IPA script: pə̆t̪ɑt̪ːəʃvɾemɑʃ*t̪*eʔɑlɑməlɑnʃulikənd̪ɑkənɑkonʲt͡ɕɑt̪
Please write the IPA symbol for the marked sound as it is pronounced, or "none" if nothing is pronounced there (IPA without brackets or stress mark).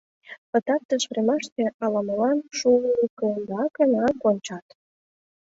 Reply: t̪